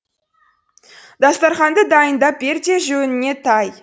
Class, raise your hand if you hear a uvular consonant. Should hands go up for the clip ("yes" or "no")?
yes